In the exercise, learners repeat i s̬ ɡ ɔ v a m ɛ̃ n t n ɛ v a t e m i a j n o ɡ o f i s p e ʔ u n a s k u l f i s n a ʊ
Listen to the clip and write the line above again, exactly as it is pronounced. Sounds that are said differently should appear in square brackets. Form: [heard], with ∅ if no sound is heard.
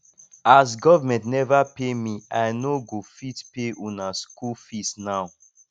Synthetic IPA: [a] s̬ ɡ ɔ v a m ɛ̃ n t n ɛ v a [p] e m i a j n o ɡ o f i [t] p e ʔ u n a s k u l f i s n a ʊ

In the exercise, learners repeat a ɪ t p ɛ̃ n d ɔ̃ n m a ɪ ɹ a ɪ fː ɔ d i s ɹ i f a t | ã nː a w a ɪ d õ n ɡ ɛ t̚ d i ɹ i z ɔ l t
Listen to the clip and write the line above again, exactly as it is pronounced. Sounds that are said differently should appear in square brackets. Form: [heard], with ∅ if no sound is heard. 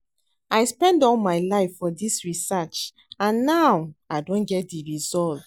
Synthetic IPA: a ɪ [s] p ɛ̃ n d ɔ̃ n m a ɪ [l] a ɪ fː ɔ d i s ɹ i [s] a [t͡ʃ] | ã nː a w a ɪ d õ n ɡ ɛ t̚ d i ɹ i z ɔ l t

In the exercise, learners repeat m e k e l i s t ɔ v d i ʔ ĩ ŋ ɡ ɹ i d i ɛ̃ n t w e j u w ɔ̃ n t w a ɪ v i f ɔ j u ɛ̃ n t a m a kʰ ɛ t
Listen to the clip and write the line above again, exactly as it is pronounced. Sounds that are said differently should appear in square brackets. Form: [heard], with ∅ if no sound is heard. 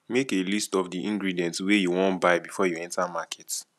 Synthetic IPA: m e k e l i s t ɔ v d i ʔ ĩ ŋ ɡ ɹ i d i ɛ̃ n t w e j u w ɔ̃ n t [b] a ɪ [b] i f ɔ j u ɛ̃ n t a m a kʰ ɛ t

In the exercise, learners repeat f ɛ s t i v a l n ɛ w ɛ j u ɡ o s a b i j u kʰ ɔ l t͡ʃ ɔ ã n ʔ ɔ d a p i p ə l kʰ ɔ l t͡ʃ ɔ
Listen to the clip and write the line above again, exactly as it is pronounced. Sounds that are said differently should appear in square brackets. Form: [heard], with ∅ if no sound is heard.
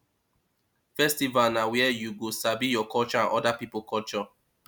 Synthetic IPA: f ɛ s t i v a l n [a] w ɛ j u ɡ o s a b i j [ɔ] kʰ ɔ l t͡ʃ ɔ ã n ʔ ɔ d a p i p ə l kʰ ɔ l t͡ʃ ɔ

